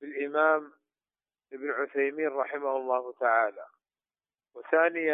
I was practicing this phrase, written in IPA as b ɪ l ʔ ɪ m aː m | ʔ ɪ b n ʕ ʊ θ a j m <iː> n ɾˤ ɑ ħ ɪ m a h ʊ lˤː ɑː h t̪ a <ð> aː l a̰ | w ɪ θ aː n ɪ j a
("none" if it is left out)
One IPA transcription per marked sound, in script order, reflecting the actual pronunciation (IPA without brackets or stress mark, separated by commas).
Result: iː, ʕ